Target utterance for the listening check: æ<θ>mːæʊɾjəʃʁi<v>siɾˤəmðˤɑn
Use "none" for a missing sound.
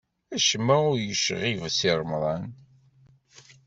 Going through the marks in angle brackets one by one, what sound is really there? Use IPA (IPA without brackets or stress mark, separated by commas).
ʃ, v